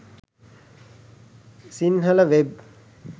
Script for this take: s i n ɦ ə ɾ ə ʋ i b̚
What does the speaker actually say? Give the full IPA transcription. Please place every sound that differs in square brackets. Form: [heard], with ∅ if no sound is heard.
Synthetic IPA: s i n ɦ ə [l] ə ʋ [e] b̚